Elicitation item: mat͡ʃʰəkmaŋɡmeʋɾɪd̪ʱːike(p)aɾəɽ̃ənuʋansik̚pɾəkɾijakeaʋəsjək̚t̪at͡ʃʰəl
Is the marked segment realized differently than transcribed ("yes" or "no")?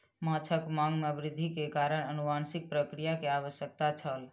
yes